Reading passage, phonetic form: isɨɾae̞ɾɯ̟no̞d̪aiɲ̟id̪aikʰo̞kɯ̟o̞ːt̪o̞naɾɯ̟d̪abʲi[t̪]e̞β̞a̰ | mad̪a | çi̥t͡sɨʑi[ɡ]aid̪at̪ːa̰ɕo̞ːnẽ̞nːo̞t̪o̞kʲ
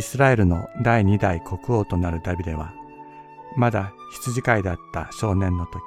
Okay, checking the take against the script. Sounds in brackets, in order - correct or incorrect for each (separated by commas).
incorrect, incorrect